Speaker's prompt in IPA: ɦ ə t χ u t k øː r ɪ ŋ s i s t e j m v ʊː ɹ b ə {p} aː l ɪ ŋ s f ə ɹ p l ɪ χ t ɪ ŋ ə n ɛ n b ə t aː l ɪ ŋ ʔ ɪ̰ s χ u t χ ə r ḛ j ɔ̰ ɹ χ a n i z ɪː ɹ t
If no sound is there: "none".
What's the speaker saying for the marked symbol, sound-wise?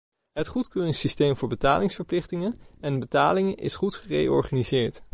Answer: t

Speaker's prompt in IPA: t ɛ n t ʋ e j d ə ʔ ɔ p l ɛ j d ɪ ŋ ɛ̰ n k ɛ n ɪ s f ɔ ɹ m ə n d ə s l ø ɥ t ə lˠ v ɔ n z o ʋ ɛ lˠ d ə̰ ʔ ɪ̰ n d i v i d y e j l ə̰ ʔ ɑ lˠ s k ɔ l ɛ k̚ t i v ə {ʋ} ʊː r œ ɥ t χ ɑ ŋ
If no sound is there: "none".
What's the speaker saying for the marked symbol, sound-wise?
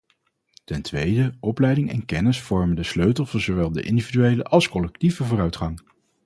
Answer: v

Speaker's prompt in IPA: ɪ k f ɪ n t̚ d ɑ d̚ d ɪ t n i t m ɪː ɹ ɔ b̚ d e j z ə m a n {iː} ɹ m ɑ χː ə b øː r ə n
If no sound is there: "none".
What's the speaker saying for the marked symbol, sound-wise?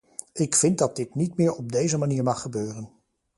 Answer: iː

